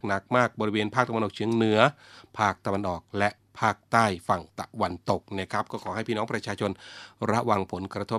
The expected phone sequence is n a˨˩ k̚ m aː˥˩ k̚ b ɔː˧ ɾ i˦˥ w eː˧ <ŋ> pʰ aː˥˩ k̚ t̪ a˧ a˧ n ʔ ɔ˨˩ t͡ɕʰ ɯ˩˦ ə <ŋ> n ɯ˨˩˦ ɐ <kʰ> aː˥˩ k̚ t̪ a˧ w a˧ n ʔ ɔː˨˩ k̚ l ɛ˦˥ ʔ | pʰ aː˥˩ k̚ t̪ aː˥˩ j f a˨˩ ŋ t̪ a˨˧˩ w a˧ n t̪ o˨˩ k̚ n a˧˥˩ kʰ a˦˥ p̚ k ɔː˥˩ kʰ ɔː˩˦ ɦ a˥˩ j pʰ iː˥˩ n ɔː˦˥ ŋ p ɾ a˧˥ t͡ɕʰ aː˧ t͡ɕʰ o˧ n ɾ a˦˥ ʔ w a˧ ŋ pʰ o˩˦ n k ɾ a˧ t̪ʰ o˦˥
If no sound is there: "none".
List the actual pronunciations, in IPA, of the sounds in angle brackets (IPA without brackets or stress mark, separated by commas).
n, ŋ, pʰ